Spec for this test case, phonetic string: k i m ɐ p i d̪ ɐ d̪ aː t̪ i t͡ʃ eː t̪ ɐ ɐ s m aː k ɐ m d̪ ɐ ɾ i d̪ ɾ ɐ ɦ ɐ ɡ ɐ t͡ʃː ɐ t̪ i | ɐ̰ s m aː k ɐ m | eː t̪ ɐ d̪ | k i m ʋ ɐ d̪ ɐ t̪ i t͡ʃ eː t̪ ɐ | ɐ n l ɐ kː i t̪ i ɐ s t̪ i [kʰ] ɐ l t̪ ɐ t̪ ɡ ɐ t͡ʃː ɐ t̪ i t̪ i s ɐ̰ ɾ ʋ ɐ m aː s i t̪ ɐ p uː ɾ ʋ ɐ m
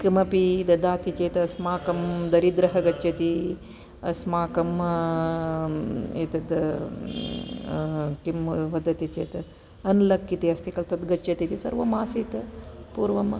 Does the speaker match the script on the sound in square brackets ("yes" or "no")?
no